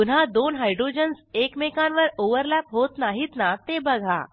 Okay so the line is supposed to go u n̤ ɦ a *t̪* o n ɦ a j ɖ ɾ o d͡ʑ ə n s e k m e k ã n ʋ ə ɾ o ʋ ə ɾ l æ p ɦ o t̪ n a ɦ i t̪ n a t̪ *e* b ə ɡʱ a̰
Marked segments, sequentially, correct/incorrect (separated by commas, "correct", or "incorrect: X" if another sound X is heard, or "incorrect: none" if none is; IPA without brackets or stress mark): incorrect: d̪, correct